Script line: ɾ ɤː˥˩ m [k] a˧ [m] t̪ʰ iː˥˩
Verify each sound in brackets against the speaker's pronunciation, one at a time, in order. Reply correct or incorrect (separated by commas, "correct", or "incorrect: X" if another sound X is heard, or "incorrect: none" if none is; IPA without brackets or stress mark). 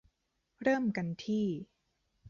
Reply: correct, incorrect: n